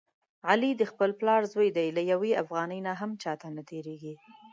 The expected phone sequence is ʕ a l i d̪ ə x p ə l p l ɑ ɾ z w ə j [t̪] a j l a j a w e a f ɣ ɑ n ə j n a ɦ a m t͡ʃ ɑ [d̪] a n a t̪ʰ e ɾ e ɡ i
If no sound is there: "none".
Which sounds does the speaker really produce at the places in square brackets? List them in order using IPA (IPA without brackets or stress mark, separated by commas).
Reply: d̪, t̪